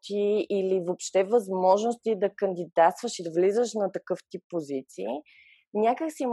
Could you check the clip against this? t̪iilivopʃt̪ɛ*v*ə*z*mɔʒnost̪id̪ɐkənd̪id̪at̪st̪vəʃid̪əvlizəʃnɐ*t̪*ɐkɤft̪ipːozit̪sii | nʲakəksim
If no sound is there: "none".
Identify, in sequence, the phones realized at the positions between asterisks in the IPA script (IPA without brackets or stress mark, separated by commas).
v, z, t̪